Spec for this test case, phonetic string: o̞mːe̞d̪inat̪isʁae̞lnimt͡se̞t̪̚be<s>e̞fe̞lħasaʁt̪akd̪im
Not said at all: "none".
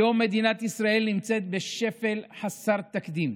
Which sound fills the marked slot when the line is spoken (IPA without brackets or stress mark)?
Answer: ʃ